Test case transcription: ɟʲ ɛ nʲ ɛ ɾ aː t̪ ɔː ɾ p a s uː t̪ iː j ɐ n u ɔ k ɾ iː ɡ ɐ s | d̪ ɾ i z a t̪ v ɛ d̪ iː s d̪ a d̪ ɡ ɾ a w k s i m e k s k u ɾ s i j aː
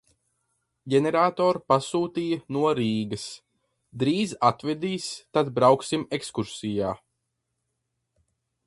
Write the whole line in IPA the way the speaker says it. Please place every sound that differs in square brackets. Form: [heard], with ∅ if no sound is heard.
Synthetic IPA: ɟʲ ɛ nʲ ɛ ɾ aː t̪ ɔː ɾ p a s uː t̪ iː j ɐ n u ɔ [∅] ɾ iː ɡ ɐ s | d̪ ɾ [iː] z a t̪ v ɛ d̪ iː s [t̪] a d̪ [b] ɾ a w k s i m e k s k u ɾ s i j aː